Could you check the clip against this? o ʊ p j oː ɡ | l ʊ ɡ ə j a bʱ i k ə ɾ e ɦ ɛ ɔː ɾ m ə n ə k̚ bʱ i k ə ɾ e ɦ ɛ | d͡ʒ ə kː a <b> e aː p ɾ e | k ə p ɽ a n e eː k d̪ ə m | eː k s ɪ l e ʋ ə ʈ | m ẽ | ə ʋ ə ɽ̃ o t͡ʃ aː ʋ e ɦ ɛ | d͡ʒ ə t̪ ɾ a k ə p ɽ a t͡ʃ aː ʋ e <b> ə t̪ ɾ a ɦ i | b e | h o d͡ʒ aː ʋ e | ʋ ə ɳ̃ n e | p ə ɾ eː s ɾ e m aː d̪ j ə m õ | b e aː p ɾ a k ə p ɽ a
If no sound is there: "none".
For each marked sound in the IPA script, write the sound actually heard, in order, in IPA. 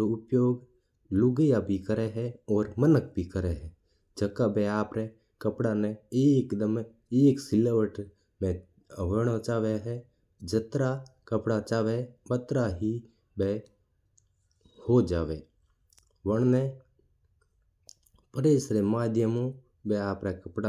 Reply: b, b

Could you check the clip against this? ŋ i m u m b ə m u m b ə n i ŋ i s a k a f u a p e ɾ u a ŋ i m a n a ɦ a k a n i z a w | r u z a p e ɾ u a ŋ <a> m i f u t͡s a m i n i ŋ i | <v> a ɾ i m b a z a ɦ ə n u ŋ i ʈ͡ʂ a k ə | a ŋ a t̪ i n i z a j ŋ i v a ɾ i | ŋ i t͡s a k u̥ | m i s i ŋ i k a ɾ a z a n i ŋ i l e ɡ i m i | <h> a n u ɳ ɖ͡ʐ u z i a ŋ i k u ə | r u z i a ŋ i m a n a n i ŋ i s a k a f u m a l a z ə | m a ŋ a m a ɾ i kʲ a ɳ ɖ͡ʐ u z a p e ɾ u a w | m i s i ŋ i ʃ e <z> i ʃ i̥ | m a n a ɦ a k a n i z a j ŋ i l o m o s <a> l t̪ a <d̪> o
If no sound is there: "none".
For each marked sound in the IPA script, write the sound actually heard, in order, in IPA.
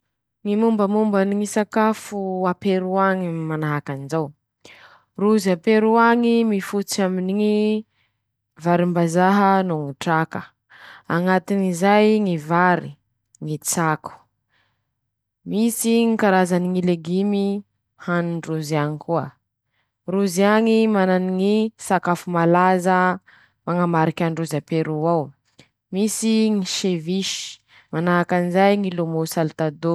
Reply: i, v, h, v, a, d̪

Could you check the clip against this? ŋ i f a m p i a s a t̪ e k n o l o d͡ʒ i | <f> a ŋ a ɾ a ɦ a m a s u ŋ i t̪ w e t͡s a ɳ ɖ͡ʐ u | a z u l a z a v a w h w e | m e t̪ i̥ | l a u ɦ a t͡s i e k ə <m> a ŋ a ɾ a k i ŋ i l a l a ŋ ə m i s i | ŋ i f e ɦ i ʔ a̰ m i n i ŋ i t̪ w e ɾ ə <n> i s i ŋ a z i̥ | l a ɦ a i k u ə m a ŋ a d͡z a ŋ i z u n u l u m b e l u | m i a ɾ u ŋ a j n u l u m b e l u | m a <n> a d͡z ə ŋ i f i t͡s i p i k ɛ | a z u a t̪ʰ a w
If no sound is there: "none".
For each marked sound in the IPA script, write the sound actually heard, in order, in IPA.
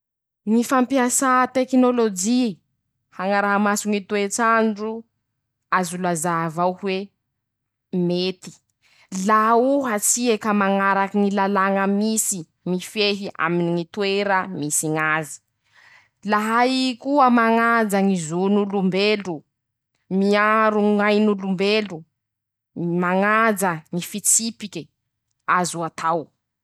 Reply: h, m, m, ŋ

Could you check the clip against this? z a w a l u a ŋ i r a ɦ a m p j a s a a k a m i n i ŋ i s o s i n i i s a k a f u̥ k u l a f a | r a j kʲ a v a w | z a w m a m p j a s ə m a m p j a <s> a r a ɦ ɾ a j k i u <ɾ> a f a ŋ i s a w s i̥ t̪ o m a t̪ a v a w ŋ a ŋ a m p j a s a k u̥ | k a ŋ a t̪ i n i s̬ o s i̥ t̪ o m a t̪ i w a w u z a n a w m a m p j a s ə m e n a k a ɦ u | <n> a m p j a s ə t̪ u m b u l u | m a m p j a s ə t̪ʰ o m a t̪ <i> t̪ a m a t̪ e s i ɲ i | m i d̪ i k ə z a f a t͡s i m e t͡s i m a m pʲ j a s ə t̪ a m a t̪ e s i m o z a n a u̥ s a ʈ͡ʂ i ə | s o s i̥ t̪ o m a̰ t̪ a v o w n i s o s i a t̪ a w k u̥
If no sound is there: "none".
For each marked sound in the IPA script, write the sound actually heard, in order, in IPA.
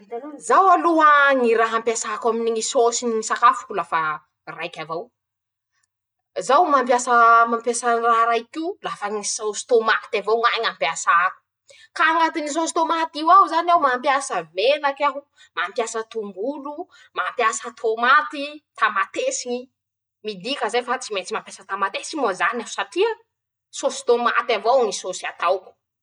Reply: s, l, m, i

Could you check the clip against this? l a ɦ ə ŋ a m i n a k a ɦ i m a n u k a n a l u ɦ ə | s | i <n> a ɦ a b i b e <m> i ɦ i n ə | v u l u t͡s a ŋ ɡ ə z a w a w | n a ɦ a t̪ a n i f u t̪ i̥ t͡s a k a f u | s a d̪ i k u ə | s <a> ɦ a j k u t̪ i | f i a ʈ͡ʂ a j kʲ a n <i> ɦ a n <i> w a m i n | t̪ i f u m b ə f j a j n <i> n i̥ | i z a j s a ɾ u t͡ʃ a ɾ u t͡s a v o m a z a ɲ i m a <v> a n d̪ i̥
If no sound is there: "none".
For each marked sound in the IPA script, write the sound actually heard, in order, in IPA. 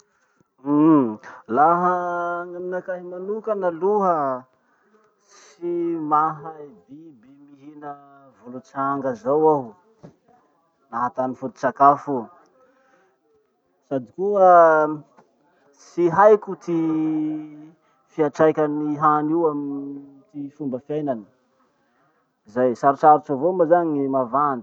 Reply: m, m, i, i, i, a, v

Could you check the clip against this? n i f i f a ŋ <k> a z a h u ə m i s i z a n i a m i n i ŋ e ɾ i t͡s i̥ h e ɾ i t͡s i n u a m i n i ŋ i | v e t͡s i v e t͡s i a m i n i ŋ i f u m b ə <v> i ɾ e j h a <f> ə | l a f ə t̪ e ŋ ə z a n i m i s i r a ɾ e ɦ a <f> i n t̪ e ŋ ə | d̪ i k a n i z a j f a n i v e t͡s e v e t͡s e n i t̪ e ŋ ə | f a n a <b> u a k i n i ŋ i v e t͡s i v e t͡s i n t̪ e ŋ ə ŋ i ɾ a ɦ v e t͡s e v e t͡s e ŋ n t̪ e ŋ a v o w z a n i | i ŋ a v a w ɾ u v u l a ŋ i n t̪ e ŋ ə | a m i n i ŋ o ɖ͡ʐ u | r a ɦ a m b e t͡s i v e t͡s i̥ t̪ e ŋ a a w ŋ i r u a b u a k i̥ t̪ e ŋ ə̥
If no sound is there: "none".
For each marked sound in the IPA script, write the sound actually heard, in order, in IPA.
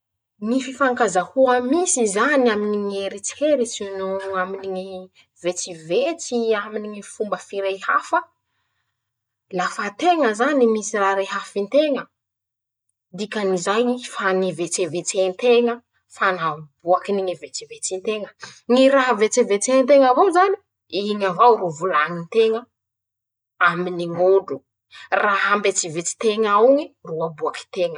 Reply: k, f, f, f, b

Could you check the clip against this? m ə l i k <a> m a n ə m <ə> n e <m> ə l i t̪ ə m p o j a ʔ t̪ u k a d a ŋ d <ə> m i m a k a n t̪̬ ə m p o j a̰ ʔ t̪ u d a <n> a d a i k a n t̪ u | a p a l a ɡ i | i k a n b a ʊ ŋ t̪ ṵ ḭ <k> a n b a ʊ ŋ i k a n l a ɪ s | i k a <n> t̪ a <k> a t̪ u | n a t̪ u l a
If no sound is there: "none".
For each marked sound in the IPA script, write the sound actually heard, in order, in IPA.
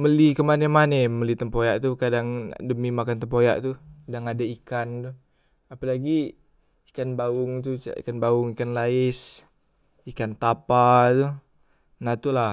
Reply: ə, a, m, ə, ŋ, k, n, p

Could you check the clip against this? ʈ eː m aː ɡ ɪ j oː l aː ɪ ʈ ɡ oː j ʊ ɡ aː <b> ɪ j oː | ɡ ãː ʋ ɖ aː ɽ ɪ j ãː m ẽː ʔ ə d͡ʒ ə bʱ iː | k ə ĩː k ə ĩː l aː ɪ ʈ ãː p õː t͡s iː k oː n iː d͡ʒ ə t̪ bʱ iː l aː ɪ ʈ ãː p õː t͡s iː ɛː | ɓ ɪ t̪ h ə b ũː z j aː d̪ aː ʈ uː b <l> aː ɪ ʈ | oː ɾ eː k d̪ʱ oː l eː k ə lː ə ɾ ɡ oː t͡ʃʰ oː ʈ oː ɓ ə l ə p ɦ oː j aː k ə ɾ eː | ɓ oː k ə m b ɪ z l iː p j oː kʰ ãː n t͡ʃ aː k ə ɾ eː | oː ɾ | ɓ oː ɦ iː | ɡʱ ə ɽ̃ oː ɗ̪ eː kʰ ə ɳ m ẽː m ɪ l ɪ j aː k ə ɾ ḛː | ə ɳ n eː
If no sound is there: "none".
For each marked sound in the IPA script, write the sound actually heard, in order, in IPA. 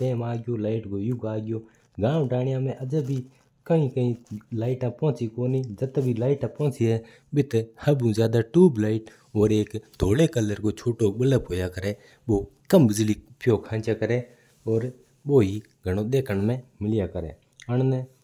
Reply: ɡ, l

